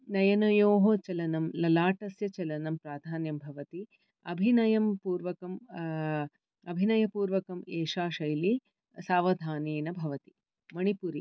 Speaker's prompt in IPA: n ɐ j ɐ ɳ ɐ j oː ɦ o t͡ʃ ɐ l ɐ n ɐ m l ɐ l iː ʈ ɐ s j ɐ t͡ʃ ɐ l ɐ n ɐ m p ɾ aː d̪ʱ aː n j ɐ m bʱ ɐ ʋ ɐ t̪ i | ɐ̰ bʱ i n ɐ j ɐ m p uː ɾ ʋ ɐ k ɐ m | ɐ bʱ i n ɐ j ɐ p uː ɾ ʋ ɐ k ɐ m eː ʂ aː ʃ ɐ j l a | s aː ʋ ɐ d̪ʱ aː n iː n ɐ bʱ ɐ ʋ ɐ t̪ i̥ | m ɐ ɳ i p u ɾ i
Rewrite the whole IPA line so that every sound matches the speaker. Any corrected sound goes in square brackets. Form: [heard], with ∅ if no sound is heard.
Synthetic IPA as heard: n ɐ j ɐ [n] ɐ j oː ɦ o t͡ʃ ɐ l ɐ n ɐ m l ɐ l [aː] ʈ ɐ s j ɐ t͡ʃ ɐ l ɐ n ɐ m p ɾ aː d̪ʱ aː n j ɐ m bʱ ɐ ʋ ɐ t̪ i | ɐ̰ bʱ i n ɐ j ɐ m p uː ɾ ʋ ɐ k ɐ m | ɐ bʱ i n ɐ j ɐ p uː ɾ ʋ ɐ k ɐ m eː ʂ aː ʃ ɐ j l [i] | s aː ʋ ɐ d̪ʱ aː n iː n ɐ bʱ ɐ ʋ ɐ t̪ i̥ | m ɐ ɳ i p u ɾ i